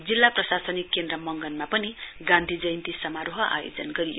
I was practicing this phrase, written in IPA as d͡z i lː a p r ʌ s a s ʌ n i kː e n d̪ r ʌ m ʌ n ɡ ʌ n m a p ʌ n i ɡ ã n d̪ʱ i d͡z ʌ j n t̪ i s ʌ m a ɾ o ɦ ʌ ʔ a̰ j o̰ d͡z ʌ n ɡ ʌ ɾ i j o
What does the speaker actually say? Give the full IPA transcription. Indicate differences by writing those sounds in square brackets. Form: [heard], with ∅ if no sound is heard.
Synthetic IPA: d͡z i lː a p r ʌ s a s ʌ n i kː e n d̪ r ʌ m ʌ [ŋ] ɡ ʌ n m a p ʌ n i ɡ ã n d̪ʱ i d͡z ʌ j n t̪ i s ʌ m a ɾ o ɦ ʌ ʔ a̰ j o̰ d͡z ʌ n ɡ ʌ ɾ i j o